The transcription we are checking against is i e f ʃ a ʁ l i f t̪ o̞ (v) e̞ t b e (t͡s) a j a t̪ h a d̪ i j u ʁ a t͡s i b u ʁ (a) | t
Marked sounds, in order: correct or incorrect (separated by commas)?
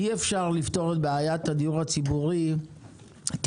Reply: incorrect, incorrect, incorrect